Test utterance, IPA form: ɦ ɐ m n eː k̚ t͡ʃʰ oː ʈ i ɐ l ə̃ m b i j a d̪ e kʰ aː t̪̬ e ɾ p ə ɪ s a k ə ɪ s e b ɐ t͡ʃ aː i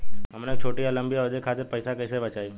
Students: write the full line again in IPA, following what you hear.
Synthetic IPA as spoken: ɦ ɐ m n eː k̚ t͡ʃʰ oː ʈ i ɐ l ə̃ m b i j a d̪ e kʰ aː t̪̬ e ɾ p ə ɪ s a k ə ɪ s e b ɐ t͡ʃ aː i